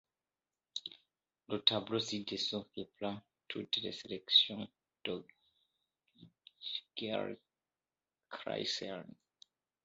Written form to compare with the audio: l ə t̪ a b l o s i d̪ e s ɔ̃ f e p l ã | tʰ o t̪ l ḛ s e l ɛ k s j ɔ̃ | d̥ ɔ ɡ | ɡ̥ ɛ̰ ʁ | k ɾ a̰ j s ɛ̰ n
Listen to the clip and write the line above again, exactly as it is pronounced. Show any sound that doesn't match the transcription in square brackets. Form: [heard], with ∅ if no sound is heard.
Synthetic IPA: l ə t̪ a b l o s i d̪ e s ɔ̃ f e p l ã | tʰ [u] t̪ l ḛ s e l ɛ k s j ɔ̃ | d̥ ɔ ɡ | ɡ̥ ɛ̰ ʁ | k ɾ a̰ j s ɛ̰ n